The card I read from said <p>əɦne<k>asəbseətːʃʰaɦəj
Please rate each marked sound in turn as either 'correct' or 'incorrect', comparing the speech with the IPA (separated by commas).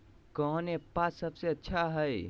incorrect, incorrect